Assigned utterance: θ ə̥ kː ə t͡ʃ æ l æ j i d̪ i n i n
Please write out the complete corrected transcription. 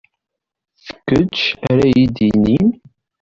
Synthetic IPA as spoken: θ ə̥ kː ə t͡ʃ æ ɾ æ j i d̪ i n i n